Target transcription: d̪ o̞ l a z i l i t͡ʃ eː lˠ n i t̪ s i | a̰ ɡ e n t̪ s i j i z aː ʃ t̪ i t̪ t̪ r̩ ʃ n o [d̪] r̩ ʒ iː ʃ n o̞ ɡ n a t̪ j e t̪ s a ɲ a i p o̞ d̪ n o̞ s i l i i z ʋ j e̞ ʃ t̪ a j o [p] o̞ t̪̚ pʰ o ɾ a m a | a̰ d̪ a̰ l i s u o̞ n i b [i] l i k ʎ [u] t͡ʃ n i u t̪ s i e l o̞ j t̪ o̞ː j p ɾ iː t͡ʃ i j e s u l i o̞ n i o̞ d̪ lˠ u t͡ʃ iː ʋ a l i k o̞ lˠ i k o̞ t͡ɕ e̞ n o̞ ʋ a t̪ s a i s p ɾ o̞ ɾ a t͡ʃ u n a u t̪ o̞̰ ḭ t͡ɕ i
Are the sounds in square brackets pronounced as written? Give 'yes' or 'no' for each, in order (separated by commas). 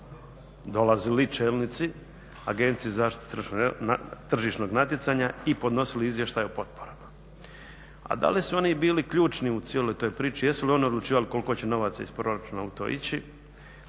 no, yes, no, no